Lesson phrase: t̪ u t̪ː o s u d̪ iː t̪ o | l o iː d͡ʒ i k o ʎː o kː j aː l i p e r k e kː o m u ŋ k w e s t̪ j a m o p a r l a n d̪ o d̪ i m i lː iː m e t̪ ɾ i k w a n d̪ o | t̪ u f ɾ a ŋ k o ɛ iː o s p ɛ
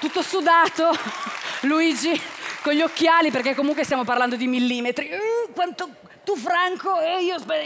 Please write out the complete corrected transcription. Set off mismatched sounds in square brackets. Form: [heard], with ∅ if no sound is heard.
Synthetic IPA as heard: t̪ u t̪ː o s u d̪ [aː] t̪ o | l [u] iː d͡ʒ i k o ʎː o kː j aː l i p e r k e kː o m u ŋ k w e s t̪ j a m o p a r l a n d̪ o d̪ i m i lː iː m e t̪ ɾ i k w a n [t̪] o | t̪ u f ɾ a ŋ k o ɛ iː o s p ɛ